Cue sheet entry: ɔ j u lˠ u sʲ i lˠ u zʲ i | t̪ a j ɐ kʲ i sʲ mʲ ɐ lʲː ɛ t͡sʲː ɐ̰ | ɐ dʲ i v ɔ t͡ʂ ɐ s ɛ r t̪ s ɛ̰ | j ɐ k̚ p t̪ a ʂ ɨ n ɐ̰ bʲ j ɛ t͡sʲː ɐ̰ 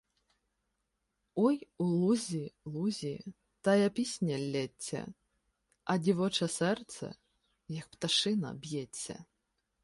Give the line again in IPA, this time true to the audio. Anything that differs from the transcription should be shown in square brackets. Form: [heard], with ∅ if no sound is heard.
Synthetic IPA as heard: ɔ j u lˠ u [zʲ] i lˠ u zʲ i | t̪ a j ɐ [pʲ] i sʲ [nʲ] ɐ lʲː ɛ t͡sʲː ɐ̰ | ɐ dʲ i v ɔ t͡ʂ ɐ s ɛ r t̪ s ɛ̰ | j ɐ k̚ p t̪ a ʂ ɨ n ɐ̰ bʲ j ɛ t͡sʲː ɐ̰

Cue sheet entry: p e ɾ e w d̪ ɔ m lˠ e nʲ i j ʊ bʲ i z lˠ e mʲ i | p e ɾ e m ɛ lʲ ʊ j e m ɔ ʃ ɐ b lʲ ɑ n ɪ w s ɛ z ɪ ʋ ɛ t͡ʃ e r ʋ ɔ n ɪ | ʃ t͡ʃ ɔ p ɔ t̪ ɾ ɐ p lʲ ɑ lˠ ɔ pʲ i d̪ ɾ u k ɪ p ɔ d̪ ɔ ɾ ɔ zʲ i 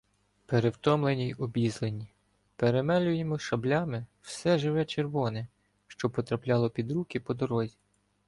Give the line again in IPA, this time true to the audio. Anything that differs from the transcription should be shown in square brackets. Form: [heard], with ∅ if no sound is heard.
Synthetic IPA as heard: p e ɾ e w [t̪] ɔ m lˠ e nʲ i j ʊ bʲ i z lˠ e [nʲ] i | p e ɾ e m ɛ lʲ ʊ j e m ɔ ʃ ɐ b lʲ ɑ [m] ɪ w s ɛ [ʒ] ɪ ʋ ɛ t͡ʃ e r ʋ ɔ n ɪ | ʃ t͡ʃ ɔ p ɔ t̪ ɾ ɐ p lʲ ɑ lˠ ɔ pʲ i d̪ ɾ u k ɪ p ɔ d̪ ɔ ɾ ɔ zʲ i

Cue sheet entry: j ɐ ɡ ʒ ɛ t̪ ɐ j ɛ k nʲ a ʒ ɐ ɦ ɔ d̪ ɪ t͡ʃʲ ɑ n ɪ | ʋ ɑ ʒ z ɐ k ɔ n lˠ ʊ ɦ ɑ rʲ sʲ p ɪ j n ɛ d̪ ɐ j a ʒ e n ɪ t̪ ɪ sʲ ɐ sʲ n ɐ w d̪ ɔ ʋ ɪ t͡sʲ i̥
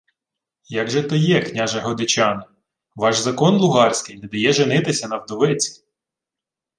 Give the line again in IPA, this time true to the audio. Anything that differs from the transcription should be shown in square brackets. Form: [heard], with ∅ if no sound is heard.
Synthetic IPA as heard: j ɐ ɡ ʒ ɛ t̪ ɐ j ɛ k nʲ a ʒ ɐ ɦ ɔ d̪ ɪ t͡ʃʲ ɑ n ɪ | ʋ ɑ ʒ z ɐ k ɔ n lˠ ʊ ɦ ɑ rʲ sʲ [k] ɪ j n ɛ d̪ ɐ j [ɛ] ʒ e n ɪ t̪ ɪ sʲ ɐ [∅] n ɐ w d̪ ɔ ʋ ɪ t͡sʲ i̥

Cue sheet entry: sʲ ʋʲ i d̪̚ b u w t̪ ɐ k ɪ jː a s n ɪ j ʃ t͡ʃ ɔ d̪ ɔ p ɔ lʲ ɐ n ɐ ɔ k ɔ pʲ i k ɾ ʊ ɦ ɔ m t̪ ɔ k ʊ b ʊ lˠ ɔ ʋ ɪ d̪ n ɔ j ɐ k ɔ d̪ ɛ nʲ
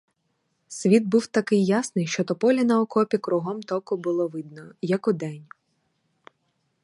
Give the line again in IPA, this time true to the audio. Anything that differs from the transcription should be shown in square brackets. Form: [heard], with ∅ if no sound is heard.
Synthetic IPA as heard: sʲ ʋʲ i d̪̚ b u w t̪ ɐ k ɪ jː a s n ɪ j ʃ t͡ʃ ɔ [t̪] ɔ p ɔ lʲ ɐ n ɐ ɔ k ɔ pʲ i k ɾ ʊ ɦ ɔ m t̪ ɔ k ʊ b ʊ lˠ ɔ ʋ ɪ d̪ n ɔ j ɐ k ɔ d̪ ɛ nʲ

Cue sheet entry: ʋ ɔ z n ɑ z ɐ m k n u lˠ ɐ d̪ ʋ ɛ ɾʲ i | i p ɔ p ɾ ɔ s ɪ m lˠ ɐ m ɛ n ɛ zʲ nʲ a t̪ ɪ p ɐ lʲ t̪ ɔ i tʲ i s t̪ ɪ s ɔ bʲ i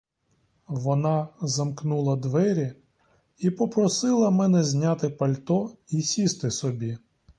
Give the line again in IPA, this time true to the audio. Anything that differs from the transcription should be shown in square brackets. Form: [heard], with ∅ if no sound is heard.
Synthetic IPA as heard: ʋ ɔ [∅] n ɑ z ɐ m k n u lˠ ɐ d̪ ʋ ɛ ɾʲ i | i p ɔ p ɾ ɔ s ɪ [∅] lˠ ɐ m ɛ n ɛ zʲ nʲ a t̪ ɪ p ɐ lʲ t̪ ɔ i [sʲ] i s t̪ ɪ s ɔ bʲ i

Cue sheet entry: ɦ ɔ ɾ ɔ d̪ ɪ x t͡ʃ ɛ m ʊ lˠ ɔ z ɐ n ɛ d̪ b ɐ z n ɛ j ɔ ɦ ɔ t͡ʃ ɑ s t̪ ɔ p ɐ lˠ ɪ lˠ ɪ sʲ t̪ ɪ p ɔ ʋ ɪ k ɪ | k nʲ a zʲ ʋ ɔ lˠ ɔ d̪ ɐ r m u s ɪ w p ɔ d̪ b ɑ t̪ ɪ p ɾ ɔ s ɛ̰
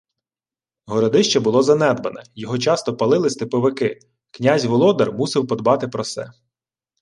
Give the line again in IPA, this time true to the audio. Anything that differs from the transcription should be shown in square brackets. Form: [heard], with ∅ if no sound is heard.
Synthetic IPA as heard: ɦ ɔ ɾ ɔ d̪ ɪ [ʃ] t͡ʃ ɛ [b] ʊ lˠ ɔ z ɐ n ɛ d̪ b ɐ [∅] n ɛ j ɔ ɦ ɔ t͡ʃ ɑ s t̪ ɔ p ɐ lˠ ɪ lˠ ɪ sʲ t̪ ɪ p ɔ ʋ ɪ k ɪ | k nʲ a zʲ ʋ ɔ lˠ ɔ d̪ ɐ r m u s ɪ w p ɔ d̪ b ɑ t̪ ɪ p ɾ ɔ s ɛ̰

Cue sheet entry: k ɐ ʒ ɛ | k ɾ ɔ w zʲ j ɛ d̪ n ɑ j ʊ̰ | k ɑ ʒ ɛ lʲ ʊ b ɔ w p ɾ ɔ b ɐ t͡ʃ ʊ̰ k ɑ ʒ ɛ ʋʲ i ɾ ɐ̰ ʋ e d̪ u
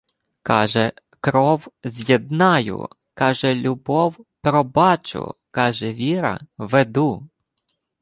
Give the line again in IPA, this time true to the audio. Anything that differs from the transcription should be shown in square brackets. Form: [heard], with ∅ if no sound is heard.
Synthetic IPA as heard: k [ɑ] ʒ ɛ | k ɾ ɔ w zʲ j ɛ d̪ n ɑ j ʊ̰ | k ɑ ʒ ɛ lʲ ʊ b ɔ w p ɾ ɔ b [ɑ] t͡ʃ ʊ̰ k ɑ ʒ ɛ ʋʲ i ɾ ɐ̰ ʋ e d̪ u

